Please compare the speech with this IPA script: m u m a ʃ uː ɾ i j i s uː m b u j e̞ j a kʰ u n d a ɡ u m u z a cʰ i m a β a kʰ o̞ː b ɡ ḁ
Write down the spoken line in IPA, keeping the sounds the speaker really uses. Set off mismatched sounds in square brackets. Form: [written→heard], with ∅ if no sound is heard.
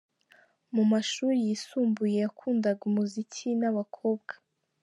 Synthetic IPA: m u m a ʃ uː ɾ i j i s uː m b u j e̞ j a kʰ [u→uː] n d a ɡ u m u z [a→i] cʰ i [m→n] a β a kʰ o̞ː b ɡ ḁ